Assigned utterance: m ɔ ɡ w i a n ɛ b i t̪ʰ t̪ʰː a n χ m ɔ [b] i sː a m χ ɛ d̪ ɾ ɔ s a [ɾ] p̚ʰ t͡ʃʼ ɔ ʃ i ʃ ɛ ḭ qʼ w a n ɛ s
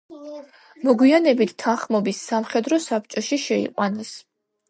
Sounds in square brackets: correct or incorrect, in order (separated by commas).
correct, incorrect